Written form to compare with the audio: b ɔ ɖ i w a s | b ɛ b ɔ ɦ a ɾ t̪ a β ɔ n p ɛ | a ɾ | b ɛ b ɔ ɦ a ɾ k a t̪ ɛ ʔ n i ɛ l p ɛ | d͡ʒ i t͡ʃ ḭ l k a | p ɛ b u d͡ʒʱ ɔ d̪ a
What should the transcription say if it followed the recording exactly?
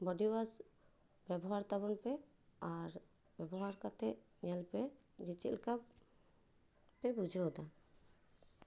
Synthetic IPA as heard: b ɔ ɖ i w a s | b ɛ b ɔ ɦ a ɾ t̪ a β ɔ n p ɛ | a ɾ | b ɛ b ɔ ɦ a ɾ k a t̪ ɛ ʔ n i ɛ l p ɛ | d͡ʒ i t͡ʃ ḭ l k a | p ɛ b u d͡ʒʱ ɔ d̪ a

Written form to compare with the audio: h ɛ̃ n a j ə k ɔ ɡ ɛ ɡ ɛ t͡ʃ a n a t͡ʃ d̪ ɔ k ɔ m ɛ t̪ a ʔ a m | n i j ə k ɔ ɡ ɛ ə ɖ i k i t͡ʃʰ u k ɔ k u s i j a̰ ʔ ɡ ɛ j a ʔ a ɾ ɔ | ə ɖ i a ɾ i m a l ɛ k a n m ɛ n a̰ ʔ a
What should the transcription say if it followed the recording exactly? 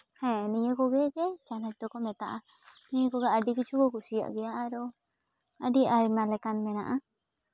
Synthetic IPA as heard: h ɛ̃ n i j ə k ɔ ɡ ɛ ɡ ɛ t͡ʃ a n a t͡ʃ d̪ ɔ k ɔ m ɛ t̪ a ʔ a | n i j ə k ɔ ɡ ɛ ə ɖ i k i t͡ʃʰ u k ɔ k u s i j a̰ ʔ ɡ ɛ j a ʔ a ɾ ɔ | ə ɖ i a ɾ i m a l ɛ k a n m ɛ n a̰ ʔ a

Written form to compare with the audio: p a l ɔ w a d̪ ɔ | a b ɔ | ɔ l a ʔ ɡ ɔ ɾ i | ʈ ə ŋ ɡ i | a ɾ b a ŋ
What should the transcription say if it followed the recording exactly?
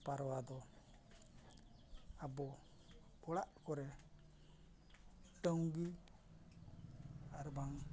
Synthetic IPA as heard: p a ɾ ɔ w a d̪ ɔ | a b ɔ | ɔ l a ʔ k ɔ ɾ ɛ | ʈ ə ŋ ɡ i | a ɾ b a ŋ

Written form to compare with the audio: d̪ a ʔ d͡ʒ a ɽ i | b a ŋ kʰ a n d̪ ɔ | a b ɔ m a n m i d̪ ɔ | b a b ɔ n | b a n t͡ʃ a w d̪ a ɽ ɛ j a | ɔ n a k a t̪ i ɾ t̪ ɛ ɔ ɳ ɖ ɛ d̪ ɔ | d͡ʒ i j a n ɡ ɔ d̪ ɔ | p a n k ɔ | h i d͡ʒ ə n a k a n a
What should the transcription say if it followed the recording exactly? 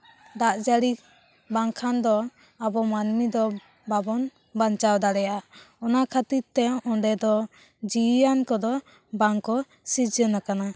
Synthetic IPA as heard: d̪ a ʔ d͡ʒ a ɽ i | b a ŋ kʰ a n d̪ ɔ | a b ɔ m a n m i d̪ ɔ | b a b ɔ n | b a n t͡ʃ a w d̪ a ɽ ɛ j a | ɔ n a kʰ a t̪ i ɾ t̪ ɛ ɔ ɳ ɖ ɛ d̪ ɔ | d͡ʒ i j a n k ɔ d̪ ɔ | b a ŋ k ɔ | s i d͡ʒ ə n a k a n a

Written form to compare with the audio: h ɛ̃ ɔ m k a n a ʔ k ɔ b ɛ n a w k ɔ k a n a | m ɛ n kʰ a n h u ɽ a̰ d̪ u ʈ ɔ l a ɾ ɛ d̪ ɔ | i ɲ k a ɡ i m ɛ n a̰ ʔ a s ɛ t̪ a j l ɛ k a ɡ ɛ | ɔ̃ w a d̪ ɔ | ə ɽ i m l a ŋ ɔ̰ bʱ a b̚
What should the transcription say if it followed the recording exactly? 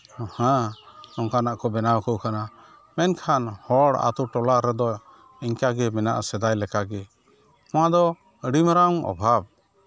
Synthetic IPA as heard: h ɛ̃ ɔ ŋ k a n a ʔ k ɔ b ɛ n a w k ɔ k a n a | m ɛ n kʰ a n h ɔ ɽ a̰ t̪ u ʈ ɔ l a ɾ ɛ d̪ ɔ | i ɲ k a ɡ ɛ m ɛ n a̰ ʔ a s ɛ d̪ a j l ɛ k a ɡ ɛ | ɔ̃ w a d̪ ɔ | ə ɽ i m ɾ a ŋ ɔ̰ bʱ a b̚

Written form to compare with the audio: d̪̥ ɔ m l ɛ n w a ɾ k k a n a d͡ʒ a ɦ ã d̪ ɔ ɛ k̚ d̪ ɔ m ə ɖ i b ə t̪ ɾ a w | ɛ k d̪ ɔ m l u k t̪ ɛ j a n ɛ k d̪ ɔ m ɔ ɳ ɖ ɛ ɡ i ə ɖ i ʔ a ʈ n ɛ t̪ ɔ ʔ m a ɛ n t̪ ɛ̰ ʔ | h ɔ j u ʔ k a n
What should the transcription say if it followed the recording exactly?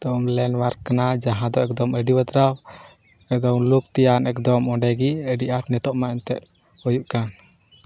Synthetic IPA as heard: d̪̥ ɔ m l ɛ n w a ɾ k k a n a d͡ʒ a ɦ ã d̪ ɔ ɛ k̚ d̪ ɔ m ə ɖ i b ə t̪ ɾ a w | ɛ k d̪ ɔ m l u k t̪ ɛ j a n ɛ k d̪ ɔ m ɔ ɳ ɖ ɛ ɡ i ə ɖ i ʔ a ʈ n ɛ t̪ ɔ ʔ m a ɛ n t̪ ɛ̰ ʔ | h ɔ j u ʔ k a n

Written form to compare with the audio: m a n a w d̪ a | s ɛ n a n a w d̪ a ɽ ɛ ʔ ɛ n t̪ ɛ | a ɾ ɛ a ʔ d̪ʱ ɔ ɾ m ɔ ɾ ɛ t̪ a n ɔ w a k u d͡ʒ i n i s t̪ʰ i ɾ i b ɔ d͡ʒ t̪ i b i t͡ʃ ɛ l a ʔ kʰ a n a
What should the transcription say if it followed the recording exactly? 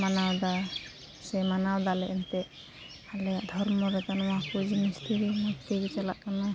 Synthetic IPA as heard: m a n a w d̪ a | s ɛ m a n a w d̪ a l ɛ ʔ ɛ n t̪ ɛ | a l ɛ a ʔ d̪ʱ ɔ ɾ m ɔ ɾ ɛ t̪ a n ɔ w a k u d͡ʒ i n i s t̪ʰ i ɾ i m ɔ t̪ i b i t͡ʃ a l a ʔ k a n a

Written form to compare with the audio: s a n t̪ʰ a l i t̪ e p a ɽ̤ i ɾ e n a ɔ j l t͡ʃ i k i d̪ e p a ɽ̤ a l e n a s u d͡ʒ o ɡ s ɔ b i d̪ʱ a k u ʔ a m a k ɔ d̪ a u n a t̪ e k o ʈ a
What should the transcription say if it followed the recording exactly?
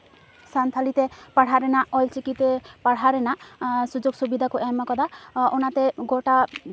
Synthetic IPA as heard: s a n t̪ʰ a l i t̪ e p a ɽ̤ a ɾ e n a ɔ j l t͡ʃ i k i t̪ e p a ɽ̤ a ɾ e n a s u d͡ʒ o ɡ s u b i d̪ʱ a k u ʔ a m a k ɔ d̪ a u n a t̪ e ɡ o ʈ a

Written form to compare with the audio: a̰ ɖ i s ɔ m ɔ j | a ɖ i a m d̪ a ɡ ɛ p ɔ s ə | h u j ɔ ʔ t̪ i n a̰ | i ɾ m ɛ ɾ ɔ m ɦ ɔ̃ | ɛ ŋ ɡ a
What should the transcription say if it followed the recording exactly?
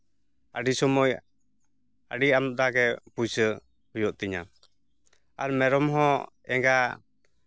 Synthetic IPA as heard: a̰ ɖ i s ɔ m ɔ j | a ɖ i a m d̪ a ɡ ɛ p u s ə | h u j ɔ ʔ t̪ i ɲ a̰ | a ɾ m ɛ ɾ ɔ m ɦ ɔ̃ | ɛ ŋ ɡ a

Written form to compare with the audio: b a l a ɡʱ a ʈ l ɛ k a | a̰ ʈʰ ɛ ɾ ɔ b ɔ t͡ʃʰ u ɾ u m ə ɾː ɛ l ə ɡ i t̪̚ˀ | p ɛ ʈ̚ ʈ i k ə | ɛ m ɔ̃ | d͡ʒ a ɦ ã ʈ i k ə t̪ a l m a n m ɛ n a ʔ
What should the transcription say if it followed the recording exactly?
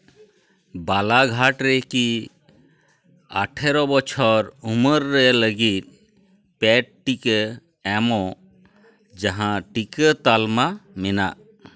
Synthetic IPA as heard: b a l a ɡʱ a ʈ ɾ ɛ k i | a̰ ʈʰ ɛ ɾ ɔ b ɔ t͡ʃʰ ɔ ɾ u m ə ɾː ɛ l ə ɡ i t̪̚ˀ | p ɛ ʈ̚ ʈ i k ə | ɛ m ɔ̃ | d͡ʒ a ɦ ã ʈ i k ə t̪ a l m a m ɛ n a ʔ

